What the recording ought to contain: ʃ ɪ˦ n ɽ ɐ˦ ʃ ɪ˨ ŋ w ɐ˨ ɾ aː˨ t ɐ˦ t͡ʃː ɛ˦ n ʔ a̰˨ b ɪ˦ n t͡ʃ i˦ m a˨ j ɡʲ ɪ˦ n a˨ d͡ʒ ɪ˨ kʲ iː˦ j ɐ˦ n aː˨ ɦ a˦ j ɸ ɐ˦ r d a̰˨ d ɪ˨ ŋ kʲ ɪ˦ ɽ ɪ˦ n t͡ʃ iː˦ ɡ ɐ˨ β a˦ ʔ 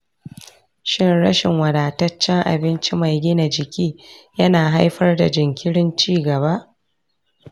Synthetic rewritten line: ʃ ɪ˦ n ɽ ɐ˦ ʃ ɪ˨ ŋ w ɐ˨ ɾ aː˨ t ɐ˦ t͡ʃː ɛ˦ ŋ ʔ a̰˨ b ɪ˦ n t͡ʃ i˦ m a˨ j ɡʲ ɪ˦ n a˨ d͡ʒ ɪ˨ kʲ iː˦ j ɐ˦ n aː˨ ɦ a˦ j ɸ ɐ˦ r d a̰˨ d͡ʒ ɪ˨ ŋ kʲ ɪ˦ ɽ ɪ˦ n t͡ʃ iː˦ ɡ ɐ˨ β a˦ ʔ

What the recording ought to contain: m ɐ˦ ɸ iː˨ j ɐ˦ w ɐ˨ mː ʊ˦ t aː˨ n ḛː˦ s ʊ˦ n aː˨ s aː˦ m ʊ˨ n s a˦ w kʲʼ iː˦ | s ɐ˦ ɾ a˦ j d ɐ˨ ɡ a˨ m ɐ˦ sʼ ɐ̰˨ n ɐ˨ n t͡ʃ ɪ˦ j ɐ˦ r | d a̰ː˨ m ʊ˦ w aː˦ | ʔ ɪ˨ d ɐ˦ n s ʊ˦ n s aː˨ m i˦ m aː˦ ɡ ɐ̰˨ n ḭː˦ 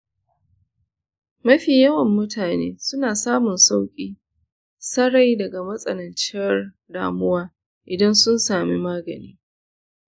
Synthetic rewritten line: m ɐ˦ ɸ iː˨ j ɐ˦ w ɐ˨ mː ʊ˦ t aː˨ n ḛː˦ s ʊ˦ n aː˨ s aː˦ m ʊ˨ n s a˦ w kʲʼ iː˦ | s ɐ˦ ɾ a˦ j d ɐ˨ ɡ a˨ m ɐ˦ sʼ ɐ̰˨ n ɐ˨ n t͡ʃ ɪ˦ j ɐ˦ r | d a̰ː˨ m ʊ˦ w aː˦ | ʔ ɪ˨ d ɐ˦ n s ʊ˦ n s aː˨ m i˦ m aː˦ ɡ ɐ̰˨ n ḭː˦

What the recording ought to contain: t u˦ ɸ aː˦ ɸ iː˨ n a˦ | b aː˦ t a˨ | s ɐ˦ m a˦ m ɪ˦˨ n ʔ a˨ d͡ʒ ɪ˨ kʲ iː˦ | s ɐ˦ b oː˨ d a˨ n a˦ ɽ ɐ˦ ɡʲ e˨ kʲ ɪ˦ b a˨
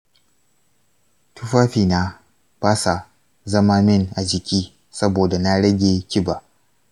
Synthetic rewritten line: t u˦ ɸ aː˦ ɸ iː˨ n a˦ | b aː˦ s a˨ | z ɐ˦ m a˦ m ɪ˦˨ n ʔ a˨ d͡ʒ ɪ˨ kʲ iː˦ | s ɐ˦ b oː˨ d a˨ n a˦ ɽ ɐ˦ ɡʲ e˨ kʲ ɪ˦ b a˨

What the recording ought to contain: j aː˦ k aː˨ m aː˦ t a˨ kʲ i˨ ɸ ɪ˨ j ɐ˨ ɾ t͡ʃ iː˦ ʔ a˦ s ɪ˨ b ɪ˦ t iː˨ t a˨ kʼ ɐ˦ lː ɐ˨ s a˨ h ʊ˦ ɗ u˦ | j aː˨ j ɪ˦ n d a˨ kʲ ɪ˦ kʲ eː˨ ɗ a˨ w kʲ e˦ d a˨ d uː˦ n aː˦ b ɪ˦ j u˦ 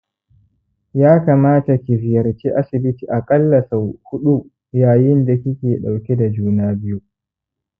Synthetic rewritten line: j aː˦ k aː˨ m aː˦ t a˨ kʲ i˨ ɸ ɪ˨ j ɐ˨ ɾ t͡ʃ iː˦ ʔ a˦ s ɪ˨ b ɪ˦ t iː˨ ʔ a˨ kʼ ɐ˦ lː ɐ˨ s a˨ h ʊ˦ ɗ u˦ | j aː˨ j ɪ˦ n d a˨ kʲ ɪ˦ kʲ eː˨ ɗ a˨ w kʲ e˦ d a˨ d͡ʒ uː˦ n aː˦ b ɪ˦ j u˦

